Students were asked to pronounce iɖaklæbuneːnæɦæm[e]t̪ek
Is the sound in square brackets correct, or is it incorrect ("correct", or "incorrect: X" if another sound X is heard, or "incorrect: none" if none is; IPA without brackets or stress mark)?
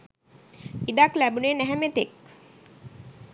correct